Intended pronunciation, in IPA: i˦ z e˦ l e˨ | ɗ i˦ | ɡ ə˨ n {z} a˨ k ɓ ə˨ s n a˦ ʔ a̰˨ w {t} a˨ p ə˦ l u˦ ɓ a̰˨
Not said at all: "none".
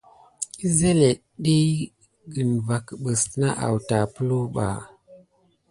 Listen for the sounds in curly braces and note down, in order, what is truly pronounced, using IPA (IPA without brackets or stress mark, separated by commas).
v, t